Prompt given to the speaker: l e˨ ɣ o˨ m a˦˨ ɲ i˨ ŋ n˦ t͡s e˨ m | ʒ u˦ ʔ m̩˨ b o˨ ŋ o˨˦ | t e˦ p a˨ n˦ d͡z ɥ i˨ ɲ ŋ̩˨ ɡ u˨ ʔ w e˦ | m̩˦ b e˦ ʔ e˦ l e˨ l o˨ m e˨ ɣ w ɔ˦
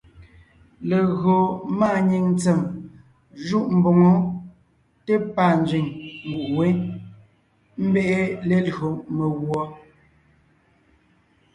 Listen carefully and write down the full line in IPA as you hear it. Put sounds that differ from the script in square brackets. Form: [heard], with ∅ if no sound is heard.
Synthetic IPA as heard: l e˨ ɣ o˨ m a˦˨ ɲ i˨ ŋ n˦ t͡s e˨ m | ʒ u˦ ʔ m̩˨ b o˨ ŋ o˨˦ | t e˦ p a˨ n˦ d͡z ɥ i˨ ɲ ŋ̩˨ ɡ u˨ ʔ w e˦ | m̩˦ b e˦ ʔ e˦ l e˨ l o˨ m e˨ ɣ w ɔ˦